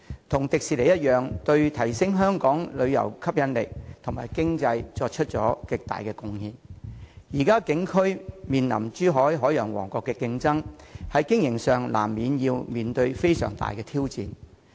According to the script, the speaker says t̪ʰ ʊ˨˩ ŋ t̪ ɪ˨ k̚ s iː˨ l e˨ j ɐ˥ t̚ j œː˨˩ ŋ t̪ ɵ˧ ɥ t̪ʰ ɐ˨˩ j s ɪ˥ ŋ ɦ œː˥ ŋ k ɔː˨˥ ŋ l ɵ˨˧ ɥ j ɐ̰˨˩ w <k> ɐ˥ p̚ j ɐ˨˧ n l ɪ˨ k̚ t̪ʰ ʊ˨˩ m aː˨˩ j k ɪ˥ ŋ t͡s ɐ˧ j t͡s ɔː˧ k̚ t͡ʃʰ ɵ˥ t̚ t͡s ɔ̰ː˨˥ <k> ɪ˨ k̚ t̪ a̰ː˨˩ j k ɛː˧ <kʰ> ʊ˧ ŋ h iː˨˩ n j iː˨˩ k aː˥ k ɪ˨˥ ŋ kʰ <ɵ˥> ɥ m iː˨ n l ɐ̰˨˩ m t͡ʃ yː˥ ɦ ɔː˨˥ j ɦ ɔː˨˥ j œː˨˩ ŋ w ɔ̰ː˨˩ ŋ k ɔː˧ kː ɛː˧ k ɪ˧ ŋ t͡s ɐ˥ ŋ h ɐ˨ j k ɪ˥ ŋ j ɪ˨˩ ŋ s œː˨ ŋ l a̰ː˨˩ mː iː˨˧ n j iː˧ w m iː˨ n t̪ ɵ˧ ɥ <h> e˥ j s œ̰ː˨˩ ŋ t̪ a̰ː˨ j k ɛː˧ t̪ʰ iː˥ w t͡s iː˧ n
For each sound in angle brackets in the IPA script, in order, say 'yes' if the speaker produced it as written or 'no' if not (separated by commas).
no, yes, no, yes, no